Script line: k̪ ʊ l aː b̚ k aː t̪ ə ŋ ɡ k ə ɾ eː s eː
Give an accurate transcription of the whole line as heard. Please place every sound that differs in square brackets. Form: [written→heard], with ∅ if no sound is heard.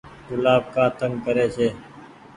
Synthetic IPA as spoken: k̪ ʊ l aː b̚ k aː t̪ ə ŋ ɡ k ə ɾ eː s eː